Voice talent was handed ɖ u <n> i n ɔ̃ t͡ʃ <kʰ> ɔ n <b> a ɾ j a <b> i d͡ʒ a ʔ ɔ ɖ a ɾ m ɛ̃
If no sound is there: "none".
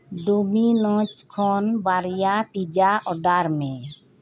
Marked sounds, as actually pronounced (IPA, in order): m, kʰ, b, p

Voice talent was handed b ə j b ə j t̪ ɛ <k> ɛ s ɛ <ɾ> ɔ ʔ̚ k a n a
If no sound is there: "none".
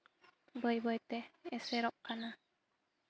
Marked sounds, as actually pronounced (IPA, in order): none, ɾ

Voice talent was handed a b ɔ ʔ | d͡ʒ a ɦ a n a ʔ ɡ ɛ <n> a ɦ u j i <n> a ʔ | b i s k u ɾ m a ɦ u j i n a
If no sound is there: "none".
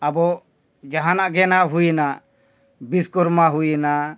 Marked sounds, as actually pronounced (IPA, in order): n, n

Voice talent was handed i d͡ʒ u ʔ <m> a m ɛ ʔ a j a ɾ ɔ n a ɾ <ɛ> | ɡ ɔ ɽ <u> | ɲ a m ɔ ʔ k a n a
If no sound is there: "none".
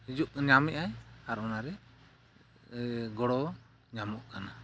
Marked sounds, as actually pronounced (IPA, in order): ɲ, ɛ, ɔ

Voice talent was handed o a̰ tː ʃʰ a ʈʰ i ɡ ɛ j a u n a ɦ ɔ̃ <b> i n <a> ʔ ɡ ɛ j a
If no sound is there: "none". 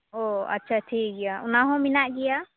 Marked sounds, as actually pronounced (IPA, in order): m, a

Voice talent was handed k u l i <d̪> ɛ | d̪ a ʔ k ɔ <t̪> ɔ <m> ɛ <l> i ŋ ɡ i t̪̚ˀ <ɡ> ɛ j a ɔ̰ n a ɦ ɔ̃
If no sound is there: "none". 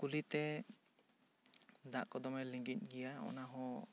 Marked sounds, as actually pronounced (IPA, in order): t̪, d̪, m, l, ɡ

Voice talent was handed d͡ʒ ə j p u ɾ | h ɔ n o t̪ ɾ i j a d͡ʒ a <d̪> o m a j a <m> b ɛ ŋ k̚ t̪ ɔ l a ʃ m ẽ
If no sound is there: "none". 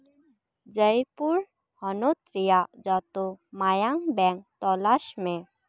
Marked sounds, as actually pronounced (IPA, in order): t̪, ŋ

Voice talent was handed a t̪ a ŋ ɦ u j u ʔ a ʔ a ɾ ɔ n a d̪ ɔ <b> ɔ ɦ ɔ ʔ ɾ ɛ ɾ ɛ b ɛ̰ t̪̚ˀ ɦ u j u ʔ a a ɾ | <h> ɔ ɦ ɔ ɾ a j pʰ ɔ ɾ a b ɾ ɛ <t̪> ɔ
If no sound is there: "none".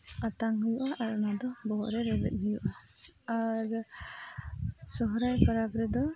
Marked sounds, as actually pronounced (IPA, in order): b, s, d̪

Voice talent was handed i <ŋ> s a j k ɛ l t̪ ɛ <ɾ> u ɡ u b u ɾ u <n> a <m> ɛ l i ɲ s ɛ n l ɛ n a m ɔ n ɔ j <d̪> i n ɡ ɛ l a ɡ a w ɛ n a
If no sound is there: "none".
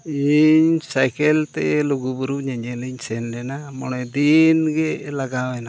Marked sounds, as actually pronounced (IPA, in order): ɲ, l, ɲ, ɲ, d̪

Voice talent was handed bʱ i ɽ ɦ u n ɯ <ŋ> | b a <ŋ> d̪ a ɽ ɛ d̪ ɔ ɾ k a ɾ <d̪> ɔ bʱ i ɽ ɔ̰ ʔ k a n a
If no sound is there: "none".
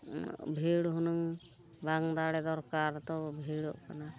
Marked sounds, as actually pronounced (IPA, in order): ŋ, ŋ, t̪

